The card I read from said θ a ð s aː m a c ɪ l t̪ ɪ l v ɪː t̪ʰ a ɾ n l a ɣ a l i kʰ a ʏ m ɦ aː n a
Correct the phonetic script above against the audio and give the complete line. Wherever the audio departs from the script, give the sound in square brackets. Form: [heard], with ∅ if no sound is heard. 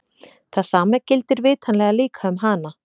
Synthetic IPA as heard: θ a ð s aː m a c ɪ l t̪ ɪ [ɾ] v ɪː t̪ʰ a [∅] n l [ɛ] ɣ a l [iː] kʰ a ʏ m ɦ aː n a

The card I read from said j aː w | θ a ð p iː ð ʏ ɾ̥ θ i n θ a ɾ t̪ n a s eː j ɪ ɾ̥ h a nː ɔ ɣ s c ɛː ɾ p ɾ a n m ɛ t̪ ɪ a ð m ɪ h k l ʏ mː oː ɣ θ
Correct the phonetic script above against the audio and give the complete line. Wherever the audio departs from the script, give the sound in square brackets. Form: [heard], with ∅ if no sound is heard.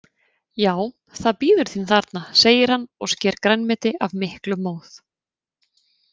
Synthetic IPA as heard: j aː w | θ a ð p iː ð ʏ ɾ̥ θ i n θ a ɾ t̪ n a s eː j ɪ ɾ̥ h a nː ɔ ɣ s c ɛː ɾ [k] ɾ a n m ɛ t̪ ɪ a [v] m ɪ h k l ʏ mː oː [w] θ

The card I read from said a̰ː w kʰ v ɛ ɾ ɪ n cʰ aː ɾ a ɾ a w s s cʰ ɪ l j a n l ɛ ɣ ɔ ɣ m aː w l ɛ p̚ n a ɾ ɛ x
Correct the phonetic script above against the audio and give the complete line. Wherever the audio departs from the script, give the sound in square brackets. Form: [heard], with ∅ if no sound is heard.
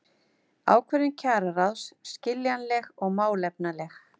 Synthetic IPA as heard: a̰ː w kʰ v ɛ ɾ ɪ n cʰ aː ɾ a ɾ a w s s [c] ɪ l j a n l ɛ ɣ ɔ ɣ m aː w l ɛ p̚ n a [l] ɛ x

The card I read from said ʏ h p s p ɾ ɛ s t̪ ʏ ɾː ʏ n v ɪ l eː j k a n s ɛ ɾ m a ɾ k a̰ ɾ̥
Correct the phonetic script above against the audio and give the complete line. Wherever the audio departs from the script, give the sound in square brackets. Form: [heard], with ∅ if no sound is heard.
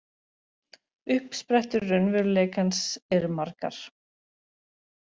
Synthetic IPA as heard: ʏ h p s p ɾ ɛ [h] t̪ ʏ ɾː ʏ n v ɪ l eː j k a n s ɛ ɾ m a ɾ k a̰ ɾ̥

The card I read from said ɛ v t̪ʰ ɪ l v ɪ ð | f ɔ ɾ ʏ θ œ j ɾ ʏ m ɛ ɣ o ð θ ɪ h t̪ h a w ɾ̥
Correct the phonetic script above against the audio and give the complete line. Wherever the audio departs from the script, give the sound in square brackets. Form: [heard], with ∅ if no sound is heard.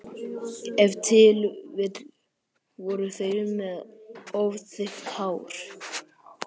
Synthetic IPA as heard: ɛ v t̪ʰ ɪ l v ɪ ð | [v] ɔ ɾ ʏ θ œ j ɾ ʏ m ɛ [ð] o [v] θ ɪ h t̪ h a w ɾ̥

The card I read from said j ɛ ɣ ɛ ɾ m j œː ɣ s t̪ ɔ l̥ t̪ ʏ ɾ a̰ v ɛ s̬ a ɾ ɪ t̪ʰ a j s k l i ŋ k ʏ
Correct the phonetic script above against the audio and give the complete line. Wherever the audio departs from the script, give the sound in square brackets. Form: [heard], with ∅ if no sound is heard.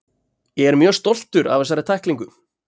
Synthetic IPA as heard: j ɛ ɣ ɛ ɾ m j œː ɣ s t̪ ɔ l̥ t̪ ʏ ɾ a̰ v ɛ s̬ a ɾ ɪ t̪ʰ a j [h] k l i ŋ k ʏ

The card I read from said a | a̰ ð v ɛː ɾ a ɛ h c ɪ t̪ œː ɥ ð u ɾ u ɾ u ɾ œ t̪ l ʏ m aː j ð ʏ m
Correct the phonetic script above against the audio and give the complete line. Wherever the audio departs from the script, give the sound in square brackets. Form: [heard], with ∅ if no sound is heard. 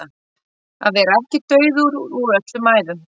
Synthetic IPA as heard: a | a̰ ð v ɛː ɾ a ɛ h c ɪ t̪ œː ɥ ð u ɾ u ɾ u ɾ œ t̪ l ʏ m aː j ð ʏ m

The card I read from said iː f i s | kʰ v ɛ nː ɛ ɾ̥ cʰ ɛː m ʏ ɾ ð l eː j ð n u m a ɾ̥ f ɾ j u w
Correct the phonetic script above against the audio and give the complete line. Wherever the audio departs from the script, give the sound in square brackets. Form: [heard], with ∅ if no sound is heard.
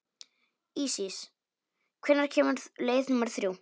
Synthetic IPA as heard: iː [s] i s | kʰ v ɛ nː [a] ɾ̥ cʰ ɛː m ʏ ɾ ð l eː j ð n u m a ɾ̥ [θ] ɾ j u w

